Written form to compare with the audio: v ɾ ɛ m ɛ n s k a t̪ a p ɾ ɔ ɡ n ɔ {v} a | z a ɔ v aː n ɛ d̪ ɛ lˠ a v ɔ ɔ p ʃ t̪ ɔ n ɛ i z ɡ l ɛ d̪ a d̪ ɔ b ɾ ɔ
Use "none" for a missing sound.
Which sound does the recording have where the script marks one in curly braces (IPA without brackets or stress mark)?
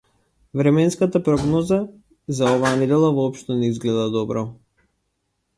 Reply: z